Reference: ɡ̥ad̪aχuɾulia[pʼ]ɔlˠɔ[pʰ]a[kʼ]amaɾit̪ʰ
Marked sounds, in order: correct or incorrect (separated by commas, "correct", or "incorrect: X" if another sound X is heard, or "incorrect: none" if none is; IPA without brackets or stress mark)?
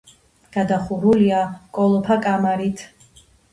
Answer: incorrect: kʼ, correct, correct